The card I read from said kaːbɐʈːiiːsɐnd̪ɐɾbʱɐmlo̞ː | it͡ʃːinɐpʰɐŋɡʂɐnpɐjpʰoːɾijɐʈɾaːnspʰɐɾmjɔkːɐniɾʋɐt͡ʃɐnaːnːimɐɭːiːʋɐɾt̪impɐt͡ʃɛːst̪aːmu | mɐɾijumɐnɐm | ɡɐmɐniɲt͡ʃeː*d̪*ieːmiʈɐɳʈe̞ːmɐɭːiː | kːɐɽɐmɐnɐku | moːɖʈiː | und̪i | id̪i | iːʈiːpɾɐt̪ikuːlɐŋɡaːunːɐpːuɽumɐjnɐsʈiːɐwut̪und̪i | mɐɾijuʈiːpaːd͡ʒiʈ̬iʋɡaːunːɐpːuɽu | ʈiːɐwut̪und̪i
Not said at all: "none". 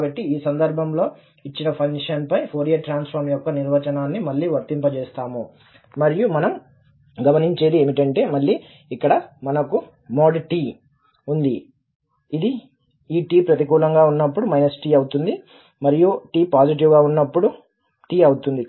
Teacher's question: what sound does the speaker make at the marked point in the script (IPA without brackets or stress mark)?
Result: d̪